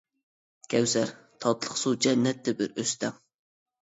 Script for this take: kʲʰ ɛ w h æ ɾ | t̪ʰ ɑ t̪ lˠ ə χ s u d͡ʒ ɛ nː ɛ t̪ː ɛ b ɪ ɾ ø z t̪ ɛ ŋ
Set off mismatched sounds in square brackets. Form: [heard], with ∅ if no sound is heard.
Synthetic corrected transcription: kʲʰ ɛ w [s] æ ɾ | t̪ʰ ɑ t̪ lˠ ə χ s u d͡ʒ ɛ nː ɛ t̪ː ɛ b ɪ ɾ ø [s] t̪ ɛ ŋ